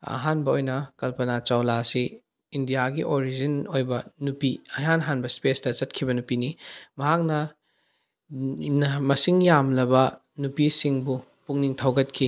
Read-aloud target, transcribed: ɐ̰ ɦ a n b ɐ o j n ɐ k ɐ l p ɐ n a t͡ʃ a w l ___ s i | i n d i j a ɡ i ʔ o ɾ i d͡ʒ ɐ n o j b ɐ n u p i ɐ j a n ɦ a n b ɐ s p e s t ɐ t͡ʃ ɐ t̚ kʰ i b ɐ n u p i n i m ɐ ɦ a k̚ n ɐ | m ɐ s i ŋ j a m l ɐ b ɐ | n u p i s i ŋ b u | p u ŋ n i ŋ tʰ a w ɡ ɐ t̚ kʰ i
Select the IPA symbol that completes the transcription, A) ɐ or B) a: B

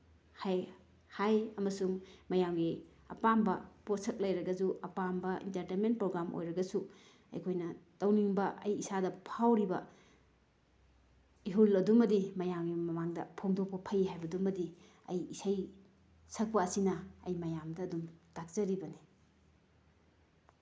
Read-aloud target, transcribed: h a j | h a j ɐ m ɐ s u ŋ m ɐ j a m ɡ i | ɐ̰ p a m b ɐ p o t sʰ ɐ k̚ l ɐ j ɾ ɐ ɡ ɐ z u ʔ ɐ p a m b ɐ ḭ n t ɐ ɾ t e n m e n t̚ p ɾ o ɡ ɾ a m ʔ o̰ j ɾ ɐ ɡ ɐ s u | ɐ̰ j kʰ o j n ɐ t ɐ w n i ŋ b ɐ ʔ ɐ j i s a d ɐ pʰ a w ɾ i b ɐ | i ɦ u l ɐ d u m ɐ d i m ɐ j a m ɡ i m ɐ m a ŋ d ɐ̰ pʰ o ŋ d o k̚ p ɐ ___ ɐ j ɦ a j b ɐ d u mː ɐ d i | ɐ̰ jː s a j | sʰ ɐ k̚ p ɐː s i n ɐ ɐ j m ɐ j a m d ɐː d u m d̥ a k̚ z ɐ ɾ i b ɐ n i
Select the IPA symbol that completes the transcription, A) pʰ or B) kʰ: A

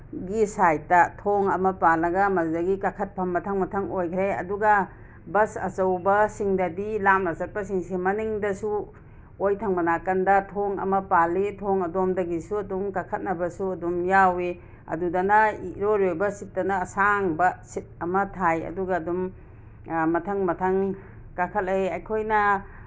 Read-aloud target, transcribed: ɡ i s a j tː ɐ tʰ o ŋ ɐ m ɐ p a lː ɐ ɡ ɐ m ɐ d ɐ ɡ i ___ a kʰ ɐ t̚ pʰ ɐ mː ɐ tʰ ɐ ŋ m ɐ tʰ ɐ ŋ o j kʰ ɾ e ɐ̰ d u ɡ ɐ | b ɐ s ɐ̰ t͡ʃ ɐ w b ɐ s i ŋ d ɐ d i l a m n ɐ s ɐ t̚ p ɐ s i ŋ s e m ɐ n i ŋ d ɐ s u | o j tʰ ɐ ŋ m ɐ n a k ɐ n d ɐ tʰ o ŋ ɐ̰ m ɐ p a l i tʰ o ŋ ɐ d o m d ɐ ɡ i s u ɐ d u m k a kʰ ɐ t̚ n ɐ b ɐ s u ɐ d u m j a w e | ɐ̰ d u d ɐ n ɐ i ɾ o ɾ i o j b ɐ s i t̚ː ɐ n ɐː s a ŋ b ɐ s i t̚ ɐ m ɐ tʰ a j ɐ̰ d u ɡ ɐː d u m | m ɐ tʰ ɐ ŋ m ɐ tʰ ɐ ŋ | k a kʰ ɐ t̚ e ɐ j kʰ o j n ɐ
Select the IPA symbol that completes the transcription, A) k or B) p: A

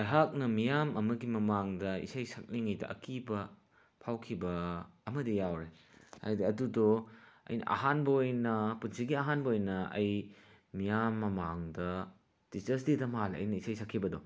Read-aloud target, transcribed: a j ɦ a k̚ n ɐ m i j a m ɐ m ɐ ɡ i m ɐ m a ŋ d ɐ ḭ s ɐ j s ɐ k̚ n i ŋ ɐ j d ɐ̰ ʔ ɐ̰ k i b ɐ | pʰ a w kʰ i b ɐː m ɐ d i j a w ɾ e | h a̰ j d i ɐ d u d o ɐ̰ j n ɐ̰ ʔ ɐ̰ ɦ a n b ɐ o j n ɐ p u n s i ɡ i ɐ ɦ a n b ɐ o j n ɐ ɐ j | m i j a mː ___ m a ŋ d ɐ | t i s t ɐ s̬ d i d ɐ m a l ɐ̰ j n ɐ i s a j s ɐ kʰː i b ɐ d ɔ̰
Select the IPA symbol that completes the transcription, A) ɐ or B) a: A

